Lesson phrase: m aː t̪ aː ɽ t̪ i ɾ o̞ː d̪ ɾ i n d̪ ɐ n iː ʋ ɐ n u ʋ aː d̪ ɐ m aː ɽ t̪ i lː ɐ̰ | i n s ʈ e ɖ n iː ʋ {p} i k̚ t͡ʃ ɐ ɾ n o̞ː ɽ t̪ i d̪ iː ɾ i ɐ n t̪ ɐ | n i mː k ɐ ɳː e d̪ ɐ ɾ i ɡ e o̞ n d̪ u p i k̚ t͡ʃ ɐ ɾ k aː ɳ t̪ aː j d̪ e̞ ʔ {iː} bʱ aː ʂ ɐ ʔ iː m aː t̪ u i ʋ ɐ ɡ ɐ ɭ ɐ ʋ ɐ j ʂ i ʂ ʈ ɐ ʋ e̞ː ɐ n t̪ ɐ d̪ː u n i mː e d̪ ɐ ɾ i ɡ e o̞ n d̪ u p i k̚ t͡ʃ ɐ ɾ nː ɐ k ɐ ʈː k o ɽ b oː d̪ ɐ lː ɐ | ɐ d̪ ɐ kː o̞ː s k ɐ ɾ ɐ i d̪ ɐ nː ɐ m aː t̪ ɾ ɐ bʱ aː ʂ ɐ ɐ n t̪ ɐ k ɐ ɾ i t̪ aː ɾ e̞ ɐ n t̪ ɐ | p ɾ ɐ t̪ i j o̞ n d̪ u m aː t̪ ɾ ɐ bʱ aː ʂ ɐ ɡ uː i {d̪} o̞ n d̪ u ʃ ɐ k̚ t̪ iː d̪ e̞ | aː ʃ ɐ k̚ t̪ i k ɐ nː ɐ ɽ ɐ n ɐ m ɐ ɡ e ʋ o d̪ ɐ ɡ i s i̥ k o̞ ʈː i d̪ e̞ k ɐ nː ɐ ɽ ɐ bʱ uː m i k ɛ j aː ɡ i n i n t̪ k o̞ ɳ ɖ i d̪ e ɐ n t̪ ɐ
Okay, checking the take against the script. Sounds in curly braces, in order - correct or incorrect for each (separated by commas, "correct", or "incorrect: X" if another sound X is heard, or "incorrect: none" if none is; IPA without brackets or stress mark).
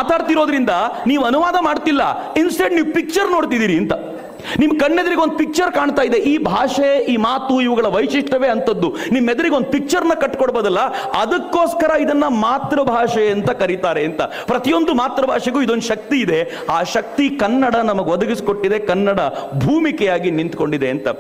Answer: correct, correct, correct